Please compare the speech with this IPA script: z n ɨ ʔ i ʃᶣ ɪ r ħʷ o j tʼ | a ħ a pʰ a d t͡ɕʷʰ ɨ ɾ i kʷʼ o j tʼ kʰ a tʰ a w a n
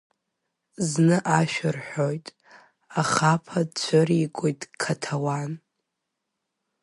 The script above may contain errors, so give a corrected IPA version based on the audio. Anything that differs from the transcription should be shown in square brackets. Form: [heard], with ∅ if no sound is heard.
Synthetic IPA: z n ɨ ʔ [a] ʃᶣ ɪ r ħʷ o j tʼ | a [χ] a pʰ a d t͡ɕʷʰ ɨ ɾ i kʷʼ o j tʼ kʰ a tʰ a w a n